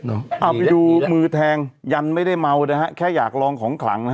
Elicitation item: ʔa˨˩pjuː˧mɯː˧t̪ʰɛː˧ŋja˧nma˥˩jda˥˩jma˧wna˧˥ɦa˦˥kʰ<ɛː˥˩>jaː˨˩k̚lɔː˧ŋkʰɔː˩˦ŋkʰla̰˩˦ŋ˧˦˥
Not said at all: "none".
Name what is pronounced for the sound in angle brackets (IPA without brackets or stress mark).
ɛː˥˩